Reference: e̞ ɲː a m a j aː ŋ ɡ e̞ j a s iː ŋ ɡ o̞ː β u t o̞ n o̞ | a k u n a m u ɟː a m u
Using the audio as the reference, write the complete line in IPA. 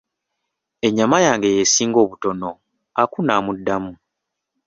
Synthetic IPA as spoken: e̞ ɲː a m a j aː ŋ ɡ e̞ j e s iː ŋ ɡ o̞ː β u t o̞ n o̞ | a k u n a m u dː a m u